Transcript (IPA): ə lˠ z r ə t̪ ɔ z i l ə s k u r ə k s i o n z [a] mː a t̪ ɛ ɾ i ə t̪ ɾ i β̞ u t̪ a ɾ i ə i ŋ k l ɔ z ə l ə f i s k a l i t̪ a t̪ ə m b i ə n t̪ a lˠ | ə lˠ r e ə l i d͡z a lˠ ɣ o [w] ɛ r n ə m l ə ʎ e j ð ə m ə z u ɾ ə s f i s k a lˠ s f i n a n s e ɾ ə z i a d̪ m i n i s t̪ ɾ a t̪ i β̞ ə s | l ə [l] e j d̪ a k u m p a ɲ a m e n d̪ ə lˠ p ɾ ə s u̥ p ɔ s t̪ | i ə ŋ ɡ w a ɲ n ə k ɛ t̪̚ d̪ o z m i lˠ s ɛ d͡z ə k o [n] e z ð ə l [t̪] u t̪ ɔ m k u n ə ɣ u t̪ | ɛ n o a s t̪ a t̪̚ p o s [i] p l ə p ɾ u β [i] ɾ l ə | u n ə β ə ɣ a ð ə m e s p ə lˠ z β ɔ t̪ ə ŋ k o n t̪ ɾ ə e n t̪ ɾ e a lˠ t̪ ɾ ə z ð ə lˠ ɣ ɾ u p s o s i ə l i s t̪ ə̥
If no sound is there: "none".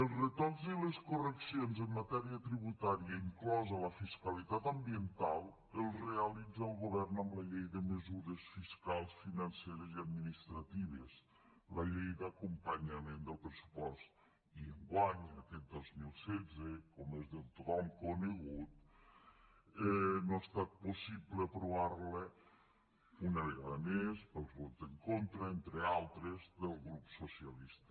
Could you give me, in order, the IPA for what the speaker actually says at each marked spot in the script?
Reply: ə, β, ʎ, m, t̪, i, a

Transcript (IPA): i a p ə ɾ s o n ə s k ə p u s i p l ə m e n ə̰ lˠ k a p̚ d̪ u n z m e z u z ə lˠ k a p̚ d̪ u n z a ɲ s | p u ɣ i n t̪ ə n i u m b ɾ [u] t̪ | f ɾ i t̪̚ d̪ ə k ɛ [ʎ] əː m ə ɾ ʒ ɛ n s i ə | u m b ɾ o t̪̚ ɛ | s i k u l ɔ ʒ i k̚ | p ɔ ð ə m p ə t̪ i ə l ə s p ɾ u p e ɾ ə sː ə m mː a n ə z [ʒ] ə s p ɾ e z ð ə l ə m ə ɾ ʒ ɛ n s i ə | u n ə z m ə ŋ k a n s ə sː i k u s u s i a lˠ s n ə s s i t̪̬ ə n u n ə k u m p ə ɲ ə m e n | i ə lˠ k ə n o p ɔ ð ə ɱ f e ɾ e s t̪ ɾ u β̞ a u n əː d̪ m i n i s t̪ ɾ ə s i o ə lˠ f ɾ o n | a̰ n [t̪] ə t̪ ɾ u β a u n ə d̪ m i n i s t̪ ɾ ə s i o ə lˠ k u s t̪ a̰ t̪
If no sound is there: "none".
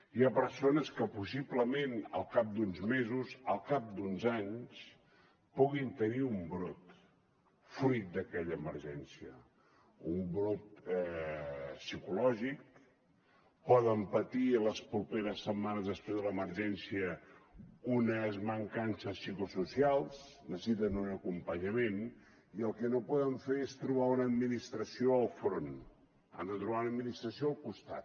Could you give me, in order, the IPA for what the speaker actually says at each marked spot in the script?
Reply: o, ʎ, ð, d̪

